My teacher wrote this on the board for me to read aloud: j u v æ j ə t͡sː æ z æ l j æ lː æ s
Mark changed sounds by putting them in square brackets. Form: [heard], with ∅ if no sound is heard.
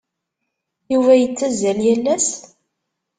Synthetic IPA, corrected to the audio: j u v æ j ə t͡sː æ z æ l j æ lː æ s